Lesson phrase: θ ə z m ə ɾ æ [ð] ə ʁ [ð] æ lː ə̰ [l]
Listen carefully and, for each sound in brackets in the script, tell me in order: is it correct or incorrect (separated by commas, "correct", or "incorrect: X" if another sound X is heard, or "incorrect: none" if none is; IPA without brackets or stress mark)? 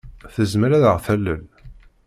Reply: correct, incorrect: θ, correct